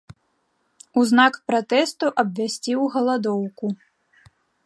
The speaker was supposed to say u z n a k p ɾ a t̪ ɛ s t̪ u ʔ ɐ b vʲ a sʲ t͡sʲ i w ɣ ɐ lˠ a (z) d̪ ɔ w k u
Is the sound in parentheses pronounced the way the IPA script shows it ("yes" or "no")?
no